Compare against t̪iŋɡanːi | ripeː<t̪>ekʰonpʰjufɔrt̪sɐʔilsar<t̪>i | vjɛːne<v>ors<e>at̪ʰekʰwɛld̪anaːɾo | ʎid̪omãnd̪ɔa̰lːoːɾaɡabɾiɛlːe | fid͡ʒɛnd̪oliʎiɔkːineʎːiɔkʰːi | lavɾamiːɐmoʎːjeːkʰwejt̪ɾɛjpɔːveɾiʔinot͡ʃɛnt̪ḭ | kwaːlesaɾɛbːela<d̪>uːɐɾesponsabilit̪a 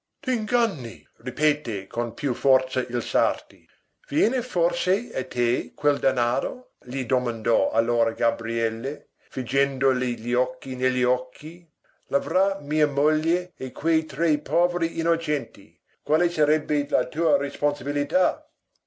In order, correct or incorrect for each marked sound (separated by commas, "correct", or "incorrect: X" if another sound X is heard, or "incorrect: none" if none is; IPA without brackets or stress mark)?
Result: correct, correct, incorrect: f, correct, incorrect: t̪